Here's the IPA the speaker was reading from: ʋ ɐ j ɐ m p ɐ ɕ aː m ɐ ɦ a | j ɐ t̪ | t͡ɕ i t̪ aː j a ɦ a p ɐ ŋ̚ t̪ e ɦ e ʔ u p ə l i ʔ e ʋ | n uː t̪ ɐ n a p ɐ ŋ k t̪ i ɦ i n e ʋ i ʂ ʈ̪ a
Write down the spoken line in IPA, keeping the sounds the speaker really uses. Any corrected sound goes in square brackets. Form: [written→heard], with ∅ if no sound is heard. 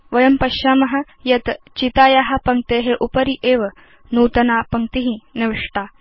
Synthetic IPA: ʋ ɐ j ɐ m p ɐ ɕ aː m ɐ ɦ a | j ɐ t̪ | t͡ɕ i t̪ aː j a ɦ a p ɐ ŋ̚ t̪ e ɦ e ʔ u p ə [l→ɾ] i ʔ e ʋ | n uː t̪ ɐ n a p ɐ ŋ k t̪ i ɦ i n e ʋ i ʂ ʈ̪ a